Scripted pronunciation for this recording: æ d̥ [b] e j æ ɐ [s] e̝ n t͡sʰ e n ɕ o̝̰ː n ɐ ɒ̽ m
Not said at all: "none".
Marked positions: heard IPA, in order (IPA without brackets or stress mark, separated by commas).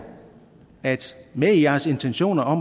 m, s